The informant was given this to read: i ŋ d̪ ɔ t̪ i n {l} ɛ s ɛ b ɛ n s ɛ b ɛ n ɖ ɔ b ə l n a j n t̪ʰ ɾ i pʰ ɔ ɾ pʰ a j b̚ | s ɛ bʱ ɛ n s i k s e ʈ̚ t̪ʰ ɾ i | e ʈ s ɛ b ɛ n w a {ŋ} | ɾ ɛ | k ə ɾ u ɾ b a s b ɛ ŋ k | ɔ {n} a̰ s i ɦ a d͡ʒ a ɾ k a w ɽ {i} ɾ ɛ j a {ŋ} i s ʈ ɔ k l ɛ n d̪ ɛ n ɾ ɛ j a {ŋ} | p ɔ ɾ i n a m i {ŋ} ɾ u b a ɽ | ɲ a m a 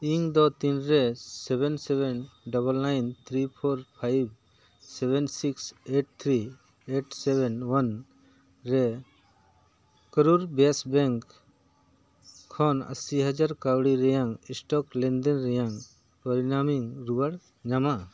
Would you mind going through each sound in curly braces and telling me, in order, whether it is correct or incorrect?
incorrect: ɾ, incorrect: n, correct, correct, correct, correct, correct

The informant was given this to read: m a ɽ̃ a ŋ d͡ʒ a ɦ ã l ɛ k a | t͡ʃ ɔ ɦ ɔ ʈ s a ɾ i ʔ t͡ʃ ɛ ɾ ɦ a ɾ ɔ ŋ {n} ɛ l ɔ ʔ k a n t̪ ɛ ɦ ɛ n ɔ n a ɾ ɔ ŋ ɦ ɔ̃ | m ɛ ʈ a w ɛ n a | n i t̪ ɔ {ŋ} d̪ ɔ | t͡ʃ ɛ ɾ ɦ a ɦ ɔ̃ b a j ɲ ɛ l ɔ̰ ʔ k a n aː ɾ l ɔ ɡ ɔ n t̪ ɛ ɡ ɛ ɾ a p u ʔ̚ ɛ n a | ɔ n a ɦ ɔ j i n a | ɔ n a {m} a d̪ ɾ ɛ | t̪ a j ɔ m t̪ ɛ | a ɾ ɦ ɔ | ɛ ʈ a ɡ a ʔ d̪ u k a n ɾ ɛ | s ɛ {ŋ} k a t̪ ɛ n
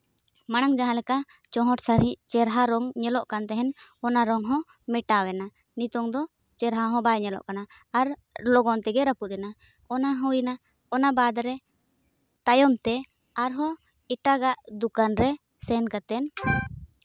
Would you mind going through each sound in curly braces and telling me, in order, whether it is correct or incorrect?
incorrect: ɲ, correct, incorrect: b, incorrect: n

